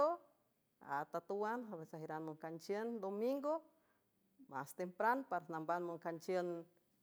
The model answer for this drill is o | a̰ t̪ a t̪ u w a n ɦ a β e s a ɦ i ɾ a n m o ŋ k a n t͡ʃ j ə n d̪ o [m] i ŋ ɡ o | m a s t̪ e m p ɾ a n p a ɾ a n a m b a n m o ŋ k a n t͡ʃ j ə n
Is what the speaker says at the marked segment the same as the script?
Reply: yes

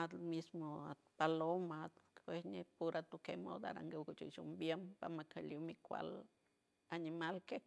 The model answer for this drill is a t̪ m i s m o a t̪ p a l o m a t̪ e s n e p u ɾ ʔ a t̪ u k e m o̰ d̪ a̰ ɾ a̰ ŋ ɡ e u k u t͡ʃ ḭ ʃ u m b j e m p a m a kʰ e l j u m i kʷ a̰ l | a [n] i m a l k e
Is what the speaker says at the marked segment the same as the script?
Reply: yes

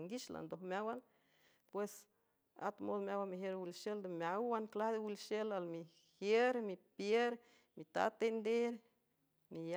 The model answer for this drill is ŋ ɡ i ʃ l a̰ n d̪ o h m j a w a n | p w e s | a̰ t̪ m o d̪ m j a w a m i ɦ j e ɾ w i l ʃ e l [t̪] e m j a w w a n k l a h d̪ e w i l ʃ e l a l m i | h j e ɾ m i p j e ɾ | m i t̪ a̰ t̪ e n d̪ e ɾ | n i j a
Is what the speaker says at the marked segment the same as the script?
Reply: no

